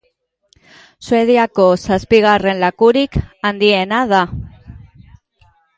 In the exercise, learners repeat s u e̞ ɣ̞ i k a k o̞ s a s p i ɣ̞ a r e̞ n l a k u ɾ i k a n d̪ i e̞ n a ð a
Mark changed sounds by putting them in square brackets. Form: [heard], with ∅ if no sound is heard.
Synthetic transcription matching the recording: s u e̞ [ð̞] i [∅] a k o̞ s a s p i ɣ̞ a r e̞ n l a k u ɾ i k a n d̪ i e̞ n a ð a